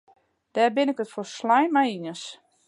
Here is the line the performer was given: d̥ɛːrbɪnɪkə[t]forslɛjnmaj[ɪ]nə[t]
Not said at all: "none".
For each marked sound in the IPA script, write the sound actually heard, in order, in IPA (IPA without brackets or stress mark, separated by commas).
t, i, s